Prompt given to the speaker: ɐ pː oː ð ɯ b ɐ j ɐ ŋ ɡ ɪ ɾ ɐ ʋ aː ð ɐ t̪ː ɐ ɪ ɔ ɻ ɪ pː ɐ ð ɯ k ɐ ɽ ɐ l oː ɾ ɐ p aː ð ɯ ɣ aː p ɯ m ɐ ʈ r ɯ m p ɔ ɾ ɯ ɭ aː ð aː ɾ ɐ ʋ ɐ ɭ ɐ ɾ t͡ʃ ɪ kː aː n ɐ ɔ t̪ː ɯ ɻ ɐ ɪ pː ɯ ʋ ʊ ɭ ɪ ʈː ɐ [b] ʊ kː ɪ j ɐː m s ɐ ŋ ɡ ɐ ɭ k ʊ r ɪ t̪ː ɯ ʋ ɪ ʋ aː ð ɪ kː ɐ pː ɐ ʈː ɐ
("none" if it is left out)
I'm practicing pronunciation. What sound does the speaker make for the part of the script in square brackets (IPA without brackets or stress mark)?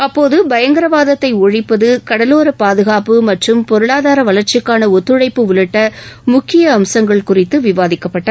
m